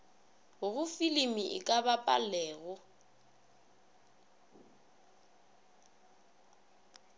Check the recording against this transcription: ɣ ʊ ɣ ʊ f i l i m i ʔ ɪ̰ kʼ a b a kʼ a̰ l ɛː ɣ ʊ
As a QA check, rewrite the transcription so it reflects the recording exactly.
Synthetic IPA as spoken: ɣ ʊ ɣ ʊ f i l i m i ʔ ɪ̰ kʼ a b a pʼ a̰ l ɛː ɣ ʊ